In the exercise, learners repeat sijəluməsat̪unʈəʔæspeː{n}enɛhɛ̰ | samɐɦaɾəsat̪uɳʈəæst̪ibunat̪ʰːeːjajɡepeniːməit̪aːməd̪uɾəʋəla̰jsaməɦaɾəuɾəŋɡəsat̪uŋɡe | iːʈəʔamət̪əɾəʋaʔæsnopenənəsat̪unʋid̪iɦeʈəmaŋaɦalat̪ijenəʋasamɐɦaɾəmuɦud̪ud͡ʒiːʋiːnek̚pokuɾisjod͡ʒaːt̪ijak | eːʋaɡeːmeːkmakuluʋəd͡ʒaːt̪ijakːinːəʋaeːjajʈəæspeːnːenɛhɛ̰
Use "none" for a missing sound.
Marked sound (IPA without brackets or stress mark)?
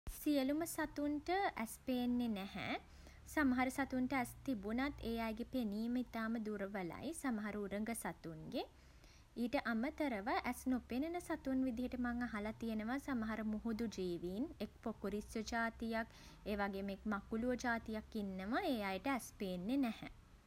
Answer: nː